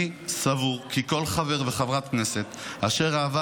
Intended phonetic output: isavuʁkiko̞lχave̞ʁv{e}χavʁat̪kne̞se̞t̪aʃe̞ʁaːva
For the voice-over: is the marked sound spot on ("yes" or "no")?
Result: yes